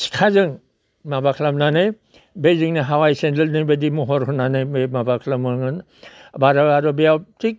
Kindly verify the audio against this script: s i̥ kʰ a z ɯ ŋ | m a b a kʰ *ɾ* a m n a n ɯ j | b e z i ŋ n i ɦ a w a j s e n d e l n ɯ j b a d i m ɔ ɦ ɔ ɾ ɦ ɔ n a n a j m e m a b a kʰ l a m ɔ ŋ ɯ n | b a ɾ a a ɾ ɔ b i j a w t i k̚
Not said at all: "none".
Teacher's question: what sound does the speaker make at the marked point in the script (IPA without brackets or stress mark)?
l